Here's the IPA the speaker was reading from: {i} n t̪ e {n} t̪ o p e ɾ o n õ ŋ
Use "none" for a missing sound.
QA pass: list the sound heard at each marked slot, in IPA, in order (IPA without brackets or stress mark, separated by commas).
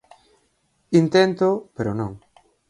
i, n